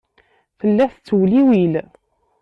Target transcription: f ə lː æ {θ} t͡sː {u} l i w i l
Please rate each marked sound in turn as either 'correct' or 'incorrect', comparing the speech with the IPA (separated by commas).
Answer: correct, incorrect